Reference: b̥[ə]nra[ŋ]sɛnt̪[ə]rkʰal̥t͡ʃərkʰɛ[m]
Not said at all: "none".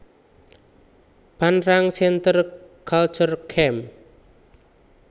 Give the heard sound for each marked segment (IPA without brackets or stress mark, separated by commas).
a, ŋ, ə, m